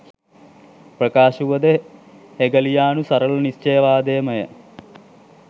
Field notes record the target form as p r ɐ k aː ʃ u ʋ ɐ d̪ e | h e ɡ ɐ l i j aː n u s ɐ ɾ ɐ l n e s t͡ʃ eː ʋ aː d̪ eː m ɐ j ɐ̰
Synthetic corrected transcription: p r ɐ k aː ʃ u ʋ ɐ d̪ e | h e ɡ ɐ l i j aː n u s ɐ ɾ ɐ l n i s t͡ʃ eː ʋ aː d̪ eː m ɐ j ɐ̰